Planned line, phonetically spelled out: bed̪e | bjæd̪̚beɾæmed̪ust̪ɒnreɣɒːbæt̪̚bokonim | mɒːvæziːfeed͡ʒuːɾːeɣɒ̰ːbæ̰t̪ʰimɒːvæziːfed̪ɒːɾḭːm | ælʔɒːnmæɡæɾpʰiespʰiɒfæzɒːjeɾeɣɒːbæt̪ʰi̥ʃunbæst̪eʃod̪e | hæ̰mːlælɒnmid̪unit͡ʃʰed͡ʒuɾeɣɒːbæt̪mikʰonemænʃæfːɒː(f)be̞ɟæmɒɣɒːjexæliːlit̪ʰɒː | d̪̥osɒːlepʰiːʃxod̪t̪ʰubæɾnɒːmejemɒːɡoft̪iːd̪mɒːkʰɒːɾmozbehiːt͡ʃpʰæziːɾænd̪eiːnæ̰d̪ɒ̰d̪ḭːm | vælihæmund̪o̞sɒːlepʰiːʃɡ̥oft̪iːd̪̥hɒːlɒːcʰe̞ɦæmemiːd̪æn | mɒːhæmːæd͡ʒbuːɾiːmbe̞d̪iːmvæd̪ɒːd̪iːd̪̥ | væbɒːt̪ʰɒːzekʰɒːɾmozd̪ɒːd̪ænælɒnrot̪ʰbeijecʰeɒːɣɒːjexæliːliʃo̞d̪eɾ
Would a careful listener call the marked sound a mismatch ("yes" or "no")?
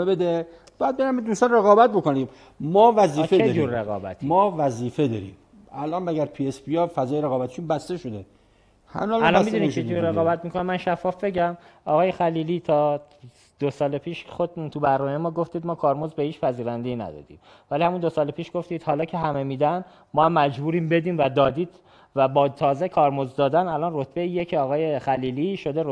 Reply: no